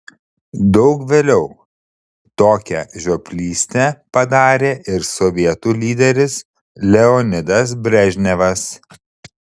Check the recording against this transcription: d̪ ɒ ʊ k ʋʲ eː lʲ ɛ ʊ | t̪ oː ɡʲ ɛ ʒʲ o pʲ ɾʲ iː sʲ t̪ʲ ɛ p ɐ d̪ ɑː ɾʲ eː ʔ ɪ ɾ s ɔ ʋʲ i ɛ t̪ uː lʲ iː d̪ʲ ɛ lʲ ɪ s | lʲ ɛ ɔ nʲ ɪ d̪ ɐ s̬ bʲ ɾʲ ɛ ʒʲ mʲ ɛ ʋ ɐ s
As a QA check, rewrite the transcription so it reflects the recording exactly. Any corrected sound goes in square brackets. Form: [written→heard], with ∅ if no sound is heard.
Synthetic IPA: d̪ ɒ ʊ k ʋʲ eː lʲ ɛ ʊ | t̪ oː [ɡʲ→kʲ] ɛ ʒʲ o pʲ [ɾʲ→lʲ] iː sʲ t̪ʲ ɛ p ɐ d̪ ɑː ɾʲ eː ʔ ɪ ɾ s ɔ ʋʲ i ɛ t̪ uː lʲ iː d̪ʲ ɛ [lʲ→ɾʲ] ɪ s | lʲ ɛ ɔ nʲ ɪ d̪ ɐ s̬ bʲ ɾʲ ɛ ʒʲ [mʲ→nʲ] ɛ ʋ ɐ s

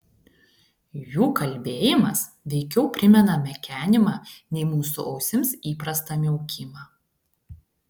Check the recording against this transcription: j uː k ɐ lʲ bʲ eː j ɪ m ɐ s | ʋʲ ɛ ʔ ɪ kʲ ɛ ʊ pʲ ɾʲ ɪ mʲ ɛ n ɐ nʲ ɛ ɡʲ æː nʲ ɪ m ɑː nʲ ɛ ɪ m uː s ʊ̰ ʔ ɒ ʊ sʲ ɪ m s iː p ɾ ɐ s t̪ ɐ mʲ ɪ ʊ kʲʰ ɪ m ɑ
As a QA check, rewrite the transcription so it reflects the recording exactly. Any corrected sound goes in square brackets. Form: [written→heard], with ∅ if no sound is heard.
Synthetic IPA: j uː k ɐ lʲ bʲ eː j ɪ m ɐ s | ʋʲ ɛ [ʔ→∅] ɪ kʲ ɛ ʊ pʲ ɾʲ ɪ mʲ ɛ n ɐ [nʲ→mʲ] ɛ [ɡʲ→kʲ] æː nʲ ɪ m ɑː nʲ ɛ ɪ m uː s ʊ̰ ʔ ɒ ʊ sʲ ɪ m s iː p ɾ ɐ s t̪ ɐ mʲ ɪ ʊ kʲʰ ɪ m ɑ

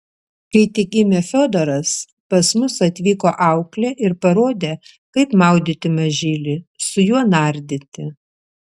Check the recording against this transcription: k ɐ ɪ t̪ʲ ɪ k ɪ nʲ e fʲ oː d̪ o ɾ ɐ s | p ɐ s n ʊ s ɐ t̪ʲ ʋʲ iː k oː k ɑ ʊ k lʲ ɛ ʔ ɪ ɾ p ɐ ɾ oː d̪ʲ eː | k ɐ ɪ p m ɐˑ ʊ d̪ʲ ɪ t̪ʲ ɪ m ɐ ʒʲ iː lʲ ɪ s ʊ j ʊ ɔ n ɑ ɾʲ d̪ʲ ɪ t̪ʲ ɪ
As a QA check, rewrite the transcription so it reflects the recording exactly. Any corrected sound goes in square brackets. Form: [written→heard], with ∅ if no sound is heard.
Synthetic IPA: k ɐ ɪ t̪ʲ ɪ k ɪ [nʲ→mʲ] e fʲ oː d̪ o ɾ ɐ s | p ɐ s [n→m] ʊ s ɐ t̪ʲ ʋʲ iː k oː [k→ʔ] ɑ ʊ k lʲ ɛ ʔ ɪ ɾ p ɐ ɾ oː d̪ʲ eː | k ɐ ɪ p m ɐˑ ʊ d̪ʲ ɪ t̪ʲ ɪ m ɐ ʒʲ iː lʲ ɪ s ʊ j [ʊ→u] ɔ n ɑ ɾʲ d̪ʲ ɪ t̪ʲ ɪ

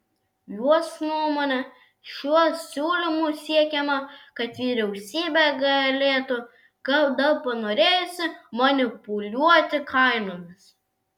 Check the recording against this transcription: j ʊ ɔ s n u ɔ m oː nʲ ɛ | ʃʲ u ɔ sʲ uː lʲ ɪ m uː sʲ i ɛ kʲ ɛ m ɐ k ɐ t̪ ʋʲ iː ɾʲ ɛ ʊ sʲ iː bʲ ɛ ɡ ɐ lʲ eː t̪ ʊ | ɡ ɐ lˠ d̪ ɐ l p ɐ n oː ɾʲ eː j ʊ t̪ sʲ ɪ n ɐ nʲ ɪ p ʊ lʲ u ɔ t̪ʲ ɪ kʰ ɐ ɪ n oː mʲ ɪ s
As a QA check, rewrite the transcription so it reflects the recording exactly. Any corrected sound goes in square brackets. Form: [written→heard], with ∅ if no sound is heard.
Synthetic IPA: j [ʊ→u] ɔ s n u ɔ m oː nʲ ɛ | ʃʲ u ɔ sʲ uː lʲ ɪ m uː sʲ i ɛ kʲ ɛ m ɐ k ɐ t̪ ʋʲ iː ɾʲ ɛ ʊ sʲ iː bʲ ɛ ɡ ɐ lʲ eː t̪ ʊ | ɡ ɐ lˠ d̪ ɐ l p ɐ n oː ɾʲ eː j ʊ [t̪→∅] sʲ ɪ [n→m] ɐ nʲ ɪ p ʊ lʲ u ɔ t̪ʲ ɪ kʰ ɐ ɪ n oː mʲ ɪ s

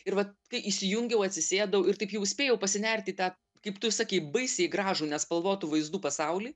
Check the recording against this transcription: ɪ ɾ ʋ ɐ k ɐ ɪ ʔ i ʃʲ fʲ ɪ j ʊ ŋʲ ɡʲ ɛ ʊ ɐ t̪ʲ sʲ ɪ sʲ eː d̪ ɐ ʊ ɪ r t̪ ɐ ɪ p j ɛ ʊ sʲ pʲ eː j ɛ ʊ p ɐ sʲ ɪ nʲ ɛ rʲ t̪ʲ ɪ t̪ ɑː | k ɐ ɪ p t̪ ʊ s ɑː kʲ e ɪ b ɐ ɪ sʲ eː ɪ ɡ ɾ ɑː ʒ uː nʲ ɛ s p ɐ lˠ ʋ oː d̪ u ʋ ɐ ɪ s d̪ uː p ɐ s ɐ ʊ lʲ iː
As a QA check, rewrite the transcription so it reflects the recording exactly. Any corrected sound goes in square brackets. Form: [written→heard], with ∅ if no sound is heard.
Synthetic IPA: ɪ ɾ ʋ ɐ k ɐ ɪ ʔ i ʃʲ [fʲ→sʲ] ɪ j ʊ ŋʲ ɡʲ ɛ ʊ ɐ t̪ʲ sʲ ɪ sʲ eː d̪ ɐ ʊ ɪ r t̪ ɐ ɪ p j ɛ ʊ sʲ pʲ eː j ɛ ʊ p ɐ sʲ ɪ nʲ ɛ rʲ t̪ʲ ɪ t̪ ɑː | k ɐ ɪ p t̪ ʊ s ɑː kʲ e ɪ b ɐ ɪ sʲ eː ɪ ɡ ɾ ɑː ʒ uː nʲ ɛ s p ɐ lˠ ʋ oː [d̪→t̪] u ʋ ɐ ɪ [s→z] d̪ uː p ɐ s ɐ ʊ lʲ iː

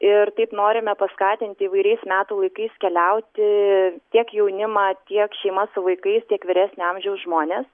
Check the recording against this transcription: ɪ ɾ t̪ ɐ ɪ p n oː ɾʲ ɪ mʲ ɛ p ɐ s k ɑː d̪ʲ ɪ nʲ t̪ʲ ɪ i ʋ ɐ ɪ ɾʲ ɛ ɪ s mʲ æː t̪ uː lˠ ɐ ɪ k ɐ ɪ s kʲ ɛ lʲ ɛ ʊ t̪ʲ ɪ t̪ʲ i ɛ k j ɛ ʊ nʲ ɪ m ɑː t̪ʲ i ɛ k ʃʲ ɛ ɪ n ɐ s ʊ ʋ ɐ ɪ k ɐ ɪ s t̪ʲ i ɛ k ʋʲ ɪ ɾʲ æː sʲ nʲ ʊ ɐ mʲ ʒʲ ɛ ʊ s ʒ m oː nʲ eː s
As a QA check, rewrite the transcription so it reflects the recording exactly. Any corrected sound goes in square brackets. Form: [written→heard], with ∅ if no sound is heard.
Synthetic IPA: ɪ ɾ t̪ ɐ ɪ p n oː ɾʲ ɪ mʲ ɛ p ɐ s k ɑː [d̪ʲ→t̪ʲ] ɪ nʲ t̪ʲ ɪ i ʋ ɐ ɪ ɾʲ ɛ ɪ s mʲ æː t̪ uː lˠ ɐ ɪ k ɐ ɪ s kʲ ɛ lʲ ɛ ʊ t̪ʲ ɪ t̪ʲ i ɛ k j ɛ ʊ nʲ ɪ m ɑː t̪ʲ i ɛ k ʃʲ ɛ ɪ [n→m] ɐ s ʊ ʋ ɐ ɪ k ɐ ɪ s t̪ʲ i ɛ k ʋʲ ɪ ɾʲ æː sʲ nʲ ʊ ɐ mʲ ʒʲ ɛ ʊ s ʒ m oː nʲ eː s

